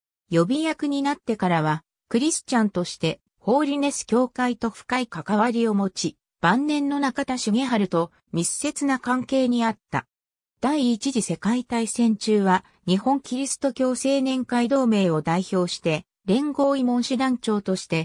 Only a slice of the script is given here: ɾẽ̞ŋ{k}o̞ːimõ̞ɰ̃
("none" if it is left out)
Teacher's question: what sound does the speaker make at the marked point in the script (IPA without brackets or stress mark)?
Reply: ɡ